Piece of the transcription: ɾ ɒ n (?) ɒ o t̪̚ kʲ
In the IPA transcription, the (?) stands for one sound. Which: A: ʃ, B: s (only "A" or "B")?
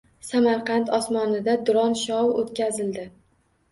A